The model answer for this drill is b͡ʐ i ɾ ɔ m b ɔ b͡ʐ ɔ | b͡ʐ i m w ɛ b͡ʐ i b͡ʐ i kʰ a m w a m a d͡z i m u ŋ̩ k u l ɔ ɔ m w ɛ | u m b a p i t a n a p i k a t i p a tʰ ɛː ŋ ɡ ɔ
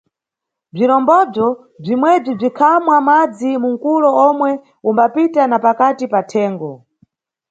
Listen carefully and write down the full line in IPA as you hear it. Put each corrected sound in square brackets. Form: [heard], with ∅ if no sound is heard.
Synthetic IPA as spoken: b͡ʐ i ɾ ɔ m b ɔ b͡ʐ ɔ | b͡ʐ i m w ɛ b͡ʐ i b͡ʐ i kʰ a m w a m a d͡z i m u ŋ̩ k u l ɔ ɔ m w ɛ | u m b a p i t a n a p [a] k a t i p a tʰ ɛː ŋ ɡ ɔ